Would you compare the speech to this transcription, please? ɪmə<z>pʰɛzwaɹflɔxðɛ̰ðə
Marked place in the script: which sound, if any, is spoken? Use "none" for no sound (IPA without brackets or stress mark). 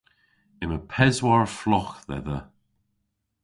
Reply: none